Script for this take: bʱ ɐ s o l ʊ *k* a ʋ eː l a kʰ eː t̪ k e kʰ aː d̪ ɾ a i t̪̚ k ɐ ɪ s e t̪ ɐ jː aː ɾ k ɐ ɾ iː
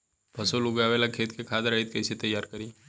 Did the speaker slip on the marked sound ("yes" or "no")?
yes